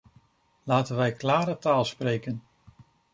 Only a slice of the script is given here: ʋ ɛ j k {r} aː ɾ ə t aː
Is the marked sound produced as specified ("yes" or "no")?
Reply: no